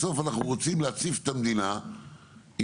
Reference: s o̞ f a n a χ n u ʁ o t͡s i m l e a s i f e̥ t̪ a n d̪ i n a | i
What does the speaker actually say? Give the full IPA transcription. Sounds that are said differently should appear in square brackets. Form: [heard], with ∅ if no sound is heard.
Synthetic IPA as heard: s o̞ f a n a χ n u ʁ o t͡s i m l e a [t͡s] i f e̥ t̪ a [m] d̪ i n a | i